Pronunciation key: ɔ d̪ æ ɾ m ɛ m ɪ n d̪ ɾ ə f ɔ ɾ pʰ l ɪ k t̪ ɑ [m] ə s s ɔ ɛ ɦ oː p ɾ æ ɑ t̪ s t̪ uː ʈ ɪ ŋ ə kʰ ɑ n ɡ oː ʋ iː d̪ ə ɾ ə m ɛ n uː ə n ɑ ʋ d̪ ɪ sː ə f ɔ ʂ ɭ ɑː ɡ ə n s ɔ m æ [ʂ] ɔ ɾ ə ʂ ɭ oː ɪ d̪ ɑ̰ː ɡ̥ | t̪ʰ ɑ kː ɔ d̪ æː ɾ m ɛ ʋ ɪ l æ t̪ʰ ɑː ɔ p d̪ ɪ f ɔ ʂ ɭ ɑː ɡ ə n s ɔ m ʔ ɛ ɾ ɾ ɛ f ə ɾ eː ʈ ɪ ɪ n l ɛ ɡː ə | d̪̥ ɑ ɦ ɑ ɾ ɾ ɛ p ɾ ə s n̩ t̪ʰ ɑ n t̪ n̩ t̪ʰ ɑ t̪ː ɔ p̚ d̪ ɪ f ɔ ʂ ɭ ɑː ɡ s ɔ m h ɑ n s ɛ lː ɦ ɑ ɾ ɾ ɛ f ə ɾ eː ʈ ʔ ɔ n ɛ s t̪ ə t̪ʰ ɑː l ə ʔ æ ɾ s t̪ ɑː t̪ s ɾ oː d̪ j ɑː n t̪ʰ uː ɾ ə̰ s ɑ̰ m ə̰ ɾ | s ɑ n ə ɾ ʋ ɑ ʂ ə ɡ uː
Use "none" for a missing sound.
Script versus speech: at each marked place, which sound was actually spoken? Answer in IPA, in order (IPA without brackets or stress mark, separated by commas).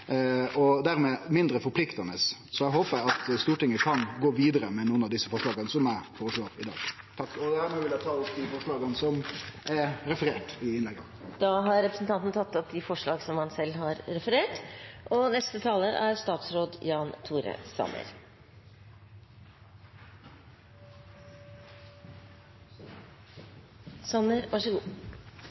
n, f